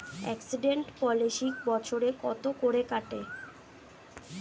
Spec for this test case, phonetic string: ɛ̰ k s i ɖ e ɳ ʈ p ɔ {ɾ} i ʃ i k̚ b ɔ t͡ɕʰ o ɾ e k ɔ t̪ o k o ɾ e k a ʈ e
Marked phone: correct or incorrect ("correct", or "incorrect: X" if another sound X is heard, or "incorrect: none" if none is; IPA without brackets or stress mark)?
incorrect: l